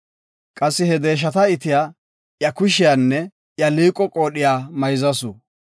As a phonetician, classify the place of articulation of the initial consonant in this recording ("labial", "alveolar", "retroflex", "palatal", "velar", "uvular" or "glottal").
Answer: velar